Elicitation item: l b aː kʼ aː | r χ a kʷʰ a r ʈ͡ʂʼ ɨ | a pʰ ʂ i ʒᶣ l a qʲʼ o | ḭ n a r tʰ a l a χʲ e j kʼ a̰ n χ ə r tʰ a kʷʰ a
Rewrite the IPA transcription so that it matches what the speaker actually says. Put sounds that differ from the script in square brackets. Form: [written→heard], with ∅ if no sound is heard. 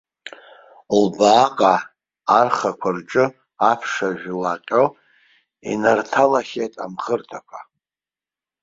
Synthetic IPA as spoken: l b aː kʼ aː | r χ a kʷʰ a r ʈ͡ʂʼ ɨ | a pʰ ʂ [i→a] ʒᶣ l a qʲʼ o | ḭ n a r tʰ a l a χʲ e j [kʼ→tʼ] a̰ [n→m] χ ə r tʰ a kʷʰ a

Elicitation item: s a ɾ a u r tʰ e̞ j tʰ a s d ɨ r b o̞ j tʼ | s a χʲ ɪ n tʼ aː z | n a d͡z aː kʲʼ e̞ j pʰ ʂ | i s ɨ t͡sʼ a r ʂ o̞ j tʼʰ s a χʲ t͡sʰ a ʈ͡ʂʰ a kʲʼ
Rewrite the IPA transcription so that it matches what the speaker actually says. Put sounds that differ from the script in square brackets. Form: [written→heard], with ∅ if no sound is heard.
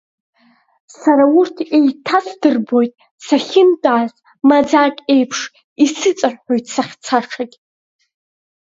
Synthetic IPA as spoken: s a ɾ a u r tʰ e̞ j tʰ a s d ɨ r b o̞ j tʼ | s a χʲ ɪ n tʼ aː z | [n→m] a d͡z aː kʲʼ e̞ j pʰ ʂ | i s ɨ t͡sʼ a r [ʂ→ħ] o̞ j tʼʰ s a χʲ t͡sʰ a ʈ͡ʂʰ a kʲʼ

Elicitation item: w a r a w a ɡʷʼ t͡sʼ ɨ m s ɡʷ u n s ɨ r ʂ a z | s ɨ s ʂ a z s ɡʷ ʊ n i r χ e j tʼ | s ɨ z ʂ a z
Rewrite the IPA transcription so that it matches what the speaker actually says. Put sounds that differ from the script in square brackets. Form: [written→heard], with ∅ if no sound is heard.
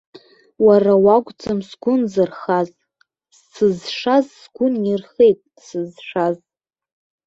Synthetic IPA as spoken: w a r a w a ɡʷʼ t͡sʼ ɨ m s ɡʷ [u→ʊ] n [s→z] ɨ r [ʂ→χ] a z | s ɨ [s→z] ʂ a z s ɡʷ ʊ n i r χ e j tʼ | s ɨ z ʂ a z

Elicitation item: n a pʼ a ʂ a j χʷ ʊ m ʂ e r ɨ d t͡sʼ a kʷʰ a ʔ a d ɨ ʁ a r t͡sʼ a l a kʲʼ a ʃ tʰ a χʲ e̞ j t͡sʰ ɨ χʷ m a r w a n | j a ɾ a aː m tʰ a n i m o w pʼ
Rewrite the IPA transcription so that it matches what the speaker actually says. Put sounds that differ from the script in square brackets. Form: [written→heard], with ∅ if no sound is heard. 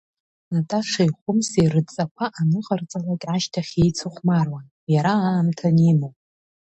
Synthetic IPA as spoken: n a [pʼ→tʼ] a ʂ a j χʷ ʊ m [ʂ→s] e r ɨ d t͡sʼ a kʷʰ a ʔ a [d→n] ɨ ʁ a r t͡sʼ a l a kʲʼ a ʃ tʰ a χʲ e̞ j t͡sʰ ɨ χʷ m a r w a n | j a ɾ a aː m tʰ a n i m o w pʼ

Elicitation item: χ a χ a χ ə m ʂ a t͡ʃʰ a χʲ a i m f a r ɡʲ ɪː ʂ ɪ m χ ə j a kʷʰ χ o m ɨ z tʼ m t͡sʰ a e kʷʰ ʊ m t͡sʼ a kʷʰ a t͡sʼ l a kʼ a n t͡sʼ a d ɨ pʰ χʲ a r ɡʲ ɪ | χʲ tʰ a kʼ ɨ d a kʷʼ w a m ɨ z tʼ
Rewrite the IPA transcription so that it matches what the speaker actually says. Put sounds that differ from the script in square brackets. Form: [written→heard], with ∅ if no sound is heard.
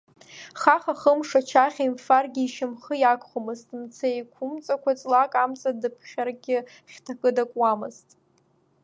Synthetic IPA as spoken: χ a χ a χ ə m ʂ a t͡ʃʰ a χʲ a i m f a r ɡʲ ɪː [ʂ→ʃ] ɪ m χ ə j a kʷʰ χ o m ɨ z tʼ m t͡sʰ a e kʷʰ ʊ m t͡sʼ a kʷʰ a t͡sʼ l a kʼ a [n→m] t͡sʼ a d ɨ pʰ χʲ a r ɡʲ ɪ | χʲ tʰ a kʼ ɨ d a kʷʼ w a m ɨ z tʼ

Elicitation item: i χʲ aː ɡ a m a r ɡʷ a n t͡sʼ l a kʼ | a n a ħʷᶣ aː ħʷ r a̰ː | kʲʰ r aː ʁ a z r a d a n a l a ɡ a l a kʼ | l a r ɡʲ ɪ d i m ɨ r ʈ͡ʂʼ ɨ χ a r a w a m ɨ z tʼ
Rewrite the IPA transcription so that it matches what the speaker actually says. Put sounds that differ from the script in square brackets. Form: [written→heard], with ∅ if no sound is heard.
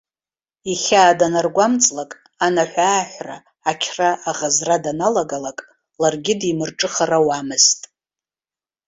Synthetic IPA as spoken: i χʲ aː [ɡ→d] a [m→n] a r ɡʷ a [n→m] t͡sʼ l a kʼ | a n a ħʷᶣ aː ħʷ r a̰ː | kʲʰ r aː ʁ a z r a d a n a l a ɡ a l a kʼ | l a r ɡʲ ɪ d i m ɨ r ʈ͡ʂʼ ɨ χ a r a w a m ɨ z tʼ

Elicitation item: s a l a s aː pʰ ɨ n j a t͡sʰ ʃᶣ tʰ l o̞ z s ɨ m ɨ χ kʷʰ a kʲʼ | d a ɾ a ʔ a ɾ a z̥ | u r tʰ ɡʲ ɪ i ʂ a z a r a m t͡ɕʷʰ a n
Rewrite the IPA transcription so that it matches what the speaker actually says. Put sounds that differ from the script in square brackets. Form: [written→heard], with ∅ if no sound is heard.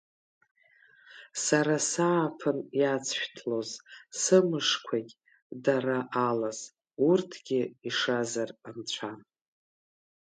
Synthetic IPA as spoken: s a [l→ɾ] a s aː pʰ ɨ n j a t͡sʰ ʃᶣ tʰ l o̞ z s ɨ m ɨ [χ→ʂ] kʷʰ a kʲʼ | d a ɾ a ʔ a [ɾ→l] a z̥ | u r tʰ ɡʲ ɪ i ʂ a z a r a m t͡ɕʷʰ a n

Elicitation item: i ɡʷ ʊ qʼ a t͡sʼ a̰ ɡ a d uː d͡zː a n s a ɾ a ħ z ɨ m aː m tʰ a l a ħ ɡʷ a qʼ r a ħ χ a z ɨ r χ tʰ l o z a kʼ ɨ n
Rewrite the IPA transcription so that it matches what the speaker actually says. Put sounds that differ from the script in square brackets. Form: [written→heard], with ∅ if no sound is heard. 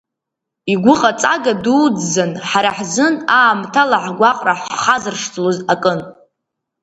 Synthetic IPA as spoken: i ɡʷ ʊ qʼ a t͡sʼ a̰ ɡ a d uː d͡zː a n [s→ħ] a ɾ a ħ z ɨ [m→n] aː m tʰ a l a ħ ɡʷ a qʼ r a ħ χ a z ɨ r [χ→ʂ] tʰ l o z a kʼ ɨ n

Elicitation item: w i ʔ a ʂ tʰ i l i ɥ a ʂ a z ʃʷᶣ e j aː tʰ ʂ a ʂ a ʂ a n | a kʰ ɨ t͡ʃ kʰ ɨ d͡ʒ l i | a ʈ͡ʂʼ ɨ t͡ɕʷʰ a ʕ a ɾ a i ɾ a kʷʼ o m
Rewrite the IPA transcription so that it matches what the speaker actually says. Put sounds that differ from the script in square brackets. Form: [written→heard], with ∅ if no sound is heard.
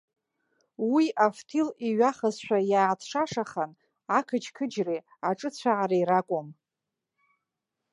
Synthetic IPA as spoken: w i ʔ a [ʂ→f] tʰ i l i ɥ a [ʂ→χ] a z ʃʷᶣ [e→a] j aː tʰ ʂ a ʂ a [ʂ→χ] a n | a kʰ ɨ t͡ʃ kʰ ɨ d͡ʒ [l→r] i | a ʈ͡ʂʼ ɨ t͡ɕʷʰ a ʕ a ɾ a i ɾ a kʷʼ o m

